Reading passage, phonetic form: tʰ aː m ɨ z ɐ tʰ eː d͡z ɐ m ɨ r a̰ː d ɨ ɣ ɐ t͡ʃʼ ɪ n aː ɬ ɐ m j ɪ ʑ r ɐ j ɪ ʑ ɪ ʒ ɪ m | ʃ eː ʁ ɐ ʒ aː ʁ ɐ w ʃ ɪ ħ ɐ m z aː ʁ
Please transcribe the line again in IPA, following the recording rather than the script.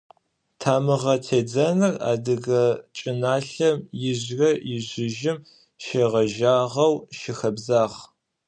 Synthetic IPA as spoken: tʰ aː m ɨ ʁ ɐ tʰ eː d͡z ɐ n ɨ r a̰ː d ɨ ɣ ɐ t͡ʃʼ ɪ n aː ɬ ɐ m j ɪ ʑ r ɐ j ɪ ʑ ɪ ʒ ɪ m | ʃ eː ʁ ɐ ʒ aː ʁ ɐ w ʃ ɪ x ɐ b z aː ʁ

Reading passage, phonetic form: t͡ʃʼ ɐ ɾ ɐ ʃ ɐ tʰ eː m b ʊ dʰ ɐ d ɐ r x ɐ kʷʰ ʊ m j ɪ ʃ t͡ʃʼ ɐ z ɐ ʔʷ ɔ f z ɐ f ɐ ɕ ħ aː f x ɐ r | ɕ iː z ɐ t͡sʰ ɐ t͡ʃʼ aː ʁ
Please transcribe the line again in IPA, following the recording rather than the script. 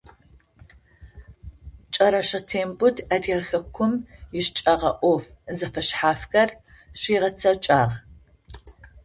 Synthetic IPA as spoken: t͡ʃʼ ɐ ɾ ɐ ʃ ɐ tʰ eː m b ʊ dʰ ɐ d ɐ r x ɐ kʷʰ ʊ m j ɪ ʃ t͡ʃʼ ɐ ʁ ɐ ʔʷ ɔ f z ɐ f ɐ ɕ ħ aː f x ɐ r | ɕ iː ʁ ɐ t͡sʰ ɐ t͡ʃʼ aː ʁ

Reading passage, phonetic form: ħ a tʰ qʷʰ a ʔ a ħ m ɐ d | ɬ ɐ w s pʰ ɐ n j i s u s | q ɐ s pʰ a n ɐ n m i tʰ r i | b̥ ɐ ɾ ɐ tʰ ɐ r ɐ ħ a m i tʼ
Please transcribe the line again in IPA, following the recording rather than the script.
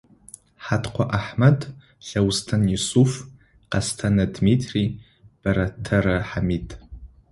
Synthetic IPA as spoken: ħ a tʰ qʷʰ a ʔ a ħ m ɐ d | ɬ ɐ w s tʰ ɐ n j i s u f | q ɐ s tʰ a n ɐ d m i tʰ r i | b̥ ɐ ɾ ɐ tʰ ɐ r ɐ ħ a m i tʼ

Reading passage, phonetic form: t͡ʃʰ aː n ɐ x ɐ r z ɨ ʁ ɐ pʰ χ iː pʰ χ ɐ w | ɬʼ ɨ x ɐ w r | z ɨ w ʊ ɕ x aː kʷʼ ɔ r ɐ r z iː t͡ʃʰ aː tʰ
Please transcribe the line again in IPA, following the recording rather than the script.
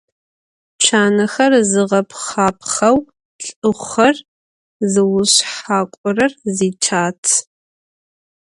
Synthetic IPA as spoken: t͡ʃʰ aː n ɐ x ɐ r z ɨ ʁ ɐ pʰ χ aː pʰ χ ɐ w | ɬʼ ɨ χ ɐ r | z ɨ w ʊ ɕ ħ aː kʷʼ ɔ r ɐ r z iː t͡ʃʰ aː tʰ

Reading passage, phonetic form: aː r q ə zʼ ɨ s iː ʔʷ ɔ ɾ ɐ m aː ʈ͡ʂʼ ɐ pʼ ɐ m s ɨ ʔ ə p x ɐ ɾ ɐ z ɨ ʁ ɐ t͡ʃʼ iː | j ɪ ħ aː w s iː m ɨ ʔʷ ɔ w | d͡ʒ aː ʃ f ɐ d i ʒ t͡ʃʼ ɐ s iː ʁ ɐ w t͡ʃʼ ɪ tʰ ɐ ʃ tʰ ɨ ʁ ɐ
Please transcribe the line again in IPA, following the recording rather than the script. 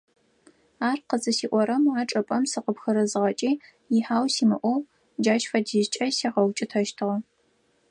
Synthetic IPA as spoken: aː r q ə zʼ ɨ s iː ʔʷ ɔ ɾ ɐ m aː ʈ͡ʂʼ ɐ pʼ ɐ m s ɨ q ə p x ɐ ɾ ɐ z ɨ ʁ ɐ t͡ʃʼ iː | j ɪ ħ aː w s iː m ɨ ʔʷ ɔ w | d͡ʒ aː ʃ f ɐ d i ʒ t͡ʃʼ ɐ s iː ʁ ɐ w t͡ʃʼ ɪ tʰ ɐ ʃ tʰ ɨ ʁ ɐ

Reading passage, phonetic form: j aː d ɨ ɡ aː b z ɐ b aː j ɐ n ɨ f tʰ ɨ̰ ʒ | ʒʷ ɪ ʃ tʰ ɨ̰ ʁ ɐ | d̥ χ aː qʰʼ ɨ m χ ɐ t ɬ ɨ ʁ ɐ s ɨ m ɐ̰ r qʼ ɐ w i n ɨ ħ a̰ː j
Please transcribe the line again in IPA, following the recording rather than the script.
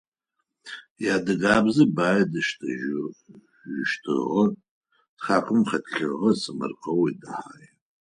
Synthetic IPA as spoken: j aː d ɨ ɡ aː b z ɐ b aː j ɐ d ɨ ʃ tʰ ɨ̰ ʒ | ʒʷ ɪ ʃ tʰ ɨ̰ ʁ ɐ | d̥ χ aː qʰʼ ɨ m χ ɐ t ɬ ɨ ʁ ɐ s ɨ m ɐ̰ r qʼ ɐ w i d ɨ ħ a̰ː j

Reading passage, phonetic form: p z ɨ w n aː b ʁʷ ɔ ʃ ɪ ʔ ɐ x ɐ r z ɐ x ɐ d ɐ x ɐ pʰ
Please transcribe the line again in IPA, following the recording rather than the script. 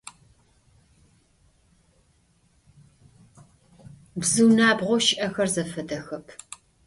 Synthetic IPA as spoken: b z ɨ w n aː b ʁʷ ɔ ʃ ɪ ʔ ɐ x ɐ r z ɐ f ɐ d ɐ x ɐ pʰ

